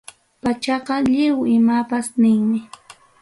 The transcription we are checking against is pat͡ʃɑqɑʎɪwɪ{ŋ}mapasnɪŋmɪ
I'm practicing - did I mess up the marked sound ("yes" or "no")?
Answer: yes